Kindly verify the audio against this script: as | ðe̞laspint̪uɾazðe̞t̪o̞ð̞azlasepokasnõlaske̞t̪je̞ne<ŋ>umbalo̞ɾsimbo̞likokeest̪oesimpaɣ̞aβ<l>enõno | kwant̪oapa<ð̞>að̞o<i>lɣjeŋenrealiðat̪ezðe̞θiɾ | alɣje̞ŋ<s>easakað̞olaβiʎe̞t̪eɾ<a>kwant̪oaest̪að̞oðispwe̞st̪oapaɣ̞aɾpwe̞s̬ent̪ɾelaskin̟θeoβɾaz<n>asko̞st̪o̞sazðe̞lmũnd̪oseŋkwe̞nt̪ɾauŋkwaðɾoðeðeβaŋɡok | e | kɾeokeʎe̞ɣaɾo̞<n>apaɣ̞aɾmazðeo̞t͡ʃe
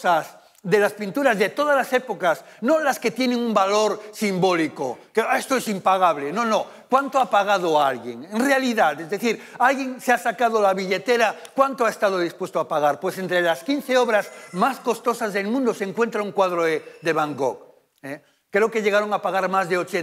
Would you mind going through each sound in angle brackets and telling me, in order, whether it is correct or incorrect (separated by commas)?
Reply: correct, correct, incorrect, incorrect, correct, correct, incorrect, incorrect